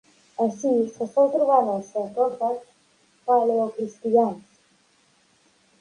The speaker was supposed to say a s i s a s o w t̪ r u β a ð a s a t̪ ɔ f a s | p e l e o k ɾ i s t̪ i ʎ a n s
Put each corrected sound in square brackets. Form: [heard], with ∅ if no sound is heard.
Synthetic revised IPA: a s i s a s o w t̪ [ɾ] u β a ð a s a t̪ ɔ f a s | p [a] l e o k ɾ i s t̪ i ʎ a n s